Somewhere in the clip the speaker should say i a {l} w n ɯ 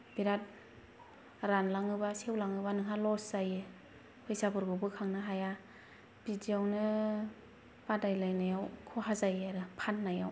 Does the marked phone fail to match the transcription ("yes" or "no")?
yes